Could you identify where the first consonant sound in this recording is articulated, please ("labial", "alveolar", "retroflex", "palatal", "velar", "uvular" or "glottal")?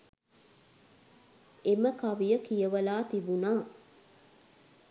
labial